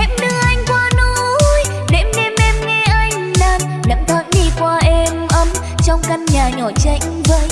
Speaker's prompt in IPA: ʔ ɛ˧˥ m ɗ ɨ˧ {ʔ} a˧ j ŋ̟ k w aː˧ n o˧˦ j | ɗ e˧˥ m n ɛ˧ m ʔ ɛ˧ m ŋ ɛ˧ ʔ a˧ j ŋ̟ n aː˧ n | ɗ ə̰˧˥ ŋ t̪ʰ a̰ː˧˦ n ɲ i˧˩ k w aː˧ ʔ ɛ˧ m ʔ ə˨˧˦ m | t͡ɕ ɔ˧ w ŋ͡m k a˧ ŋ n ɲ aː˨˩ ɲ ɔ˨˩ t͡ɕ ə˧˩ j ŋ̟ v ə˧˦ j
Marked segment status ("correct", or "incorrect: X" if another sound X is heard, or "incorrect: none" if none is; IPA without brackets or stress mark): correct